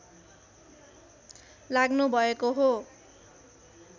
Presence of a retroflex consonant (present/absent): absent